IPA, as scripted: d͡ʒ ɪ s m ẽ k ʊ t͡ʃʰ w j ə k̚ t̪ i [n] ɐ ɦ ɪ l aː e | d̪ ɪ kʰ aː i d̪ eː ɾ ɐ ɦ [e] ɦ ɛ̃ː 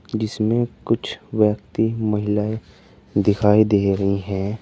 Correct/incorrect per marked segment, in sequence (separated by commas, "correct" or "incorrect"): incorrect, incorrect